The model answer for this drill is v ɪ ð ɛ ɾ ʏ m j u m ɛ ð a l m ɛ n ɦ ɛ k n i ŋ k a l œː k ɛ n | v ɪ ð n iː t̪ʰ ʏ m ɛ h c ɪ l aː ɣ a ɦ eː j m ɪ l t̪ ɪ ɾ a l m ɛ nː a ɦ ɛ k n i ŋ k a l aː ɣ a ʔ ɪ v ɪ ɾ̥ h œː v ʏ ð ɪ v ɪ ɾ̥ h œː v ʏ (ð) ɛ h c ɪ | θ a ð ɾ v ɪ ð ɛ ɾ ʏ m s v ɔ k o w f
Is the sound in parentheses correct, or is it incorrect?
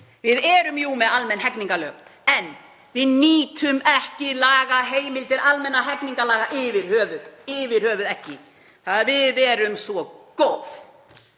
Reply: correct